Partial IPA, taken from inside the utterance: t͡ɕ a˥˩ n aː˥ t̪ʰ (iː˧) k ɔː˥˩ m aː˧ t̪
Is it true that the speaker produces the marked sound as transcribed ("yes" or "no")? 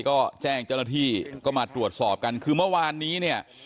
no